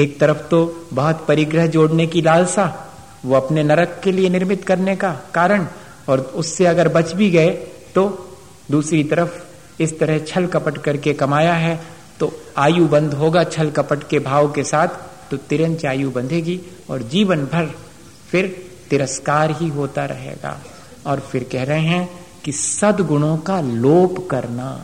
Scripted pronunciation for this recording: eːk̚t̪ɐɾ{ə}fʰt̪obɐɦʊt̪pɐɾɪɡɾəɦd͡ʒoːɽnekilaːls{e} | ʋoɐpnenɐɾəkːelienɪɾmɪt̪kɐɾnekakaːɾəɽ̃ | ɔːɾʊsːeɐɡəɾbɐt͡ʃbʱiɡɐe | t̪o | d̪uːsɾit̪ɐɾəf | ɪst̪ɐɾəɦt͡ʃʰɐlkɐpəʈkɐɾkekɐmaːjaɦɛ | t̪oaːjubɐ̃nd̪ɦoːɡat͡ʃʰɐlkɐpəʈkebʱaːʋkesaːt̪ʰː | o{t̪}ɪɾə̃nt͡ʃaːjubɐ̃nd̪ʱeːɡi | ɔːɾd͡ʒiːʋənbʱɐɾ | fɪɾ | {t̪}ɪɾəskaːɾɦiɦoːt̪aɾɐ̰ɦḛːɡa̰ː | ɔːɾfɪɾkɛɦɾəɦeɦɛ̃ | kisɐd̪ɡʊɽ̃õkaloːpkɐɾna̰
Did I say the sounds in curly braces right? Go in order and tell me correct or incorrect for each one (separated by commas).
correct, incorrect, correct, correct